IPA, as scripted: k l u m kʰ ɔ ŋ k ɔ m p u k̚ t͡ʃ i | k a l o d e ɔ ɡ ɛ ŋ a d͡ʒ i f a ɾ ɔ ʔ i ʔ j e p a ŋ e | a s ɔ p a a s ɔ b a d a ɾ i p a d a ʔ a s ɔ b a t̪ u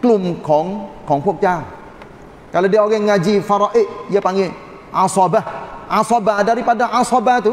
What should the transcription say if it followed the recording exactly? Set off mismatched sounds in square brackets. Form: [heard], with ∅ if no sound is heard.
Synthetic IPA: k l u m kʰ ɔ ŋ k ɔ [ŋ] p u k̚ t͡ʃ [a] | k a l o d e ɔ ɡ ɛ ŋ a d͡ʒ i f a ɾ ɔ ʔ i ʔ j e p a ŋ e | a s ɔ [b] a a s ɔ b a d a ɾ i p a d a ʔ a s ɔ b a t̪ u